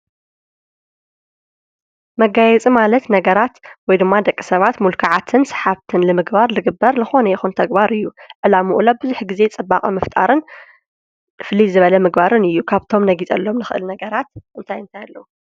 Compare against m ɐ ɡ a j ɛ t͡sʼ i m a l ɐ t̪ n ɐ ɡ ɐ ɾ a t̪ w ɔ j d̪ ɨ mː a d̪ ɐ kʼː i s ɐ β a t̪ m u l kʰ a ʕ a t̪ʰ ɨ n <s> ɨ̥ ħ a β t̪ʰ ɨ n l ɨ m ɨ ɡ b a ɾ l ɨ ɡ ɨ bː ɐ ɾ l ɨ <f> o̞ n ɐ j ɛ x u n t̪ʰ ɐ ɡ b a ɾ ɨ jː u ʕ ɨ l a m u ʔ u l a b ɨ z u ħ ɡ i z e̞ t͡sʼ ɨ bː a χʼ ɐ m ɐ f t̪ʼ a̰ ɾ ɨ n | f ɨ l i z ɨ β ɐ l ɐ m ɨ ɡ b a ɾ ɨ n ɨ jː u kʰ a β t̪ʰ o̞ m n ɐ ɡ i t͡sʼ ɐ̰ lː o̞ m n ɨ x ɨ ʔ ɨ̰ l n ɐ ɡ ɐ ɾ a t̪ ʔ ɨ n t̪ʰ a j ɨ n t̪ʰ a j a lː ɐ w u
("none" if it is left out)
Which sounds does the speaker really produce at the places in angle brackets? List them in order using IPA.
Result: s, x

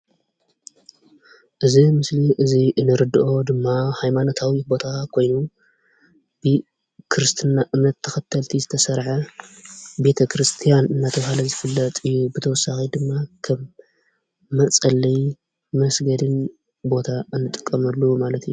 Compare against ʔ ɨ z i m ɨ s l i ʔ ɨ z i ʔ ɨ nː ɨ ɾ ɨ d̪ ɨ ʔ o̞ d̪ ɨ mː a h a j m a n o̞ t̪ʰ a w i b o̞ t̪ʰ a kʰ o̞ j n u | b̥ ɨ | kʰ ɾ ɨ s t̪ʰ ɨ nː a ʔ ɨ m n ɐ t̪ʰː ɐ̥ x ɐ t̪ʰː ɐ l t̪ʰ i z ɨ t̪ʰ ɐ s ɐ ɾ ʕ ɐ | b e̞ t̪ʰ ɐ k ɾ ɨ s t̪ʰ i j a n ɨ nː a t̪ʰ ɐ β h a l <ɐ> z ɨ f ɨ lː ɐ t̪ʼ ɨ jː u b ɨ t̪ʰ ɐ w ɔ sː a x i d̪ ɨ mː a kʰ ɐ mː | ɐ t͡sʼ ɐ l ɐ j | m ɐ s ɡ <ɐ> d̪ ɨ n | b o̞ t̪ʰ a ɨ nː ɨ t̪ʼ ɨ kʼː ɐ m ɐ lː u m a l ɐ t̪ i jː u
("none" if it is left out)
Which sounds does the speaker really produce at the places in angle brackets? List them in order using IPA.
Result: ɐ, ɐ

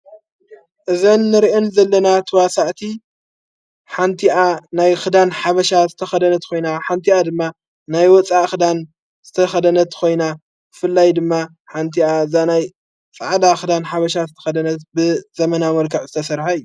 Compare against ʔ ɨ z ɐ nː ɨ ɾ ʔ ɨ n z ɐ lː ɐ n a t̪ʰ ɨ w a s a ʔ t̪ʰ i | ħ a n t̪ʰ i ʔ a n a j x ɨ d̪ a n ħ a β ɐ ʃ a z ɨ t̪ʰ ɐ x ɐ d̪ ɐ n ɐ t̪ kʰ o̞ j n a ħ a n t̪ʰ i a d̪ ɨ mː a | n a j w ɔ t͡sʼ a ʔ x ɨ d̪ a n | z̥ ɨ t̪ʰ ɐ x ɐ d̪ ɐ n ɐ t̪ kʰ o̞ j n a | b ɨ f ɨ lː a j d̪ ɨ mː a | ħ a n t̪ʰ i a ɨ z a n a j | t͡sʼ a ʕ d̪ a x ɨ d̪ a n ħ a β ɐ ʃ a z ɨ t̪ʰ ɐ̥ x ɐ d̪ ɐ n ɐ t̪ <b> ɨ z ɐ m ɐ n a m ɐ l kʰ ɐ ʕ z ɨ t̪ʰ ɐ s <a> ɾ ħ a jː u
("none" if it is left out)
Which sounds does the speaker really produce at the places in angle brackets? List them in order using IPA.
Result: b, ɐ

